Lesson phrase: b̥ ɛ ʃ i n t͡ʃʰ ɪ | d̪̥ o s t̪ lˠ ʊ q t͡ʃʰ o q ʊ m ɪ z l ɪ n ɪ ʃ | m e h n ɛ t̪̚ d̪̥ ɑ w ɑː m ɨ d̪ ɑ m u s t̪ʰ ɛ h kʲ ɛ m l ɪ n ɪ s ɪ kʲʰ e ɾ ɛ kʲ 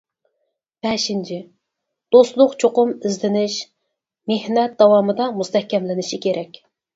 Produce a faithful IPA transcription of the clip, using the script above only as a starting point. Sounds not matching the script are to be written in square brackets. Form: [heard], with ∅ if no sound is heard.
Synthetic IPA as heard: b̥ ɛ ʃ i n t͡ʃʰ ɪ | d̪̥ o s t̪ lˠ ʊ q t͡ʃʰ o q ʊ m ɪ z l ɪ n ɪ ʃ | m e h n ɛ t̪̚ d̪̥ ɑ w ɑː m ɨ d̪ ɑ m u s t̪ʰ ɛ h kʲ ɛ m l ɪ n ɪ [ʃ] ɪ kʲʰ e ɾ ɛ kʲ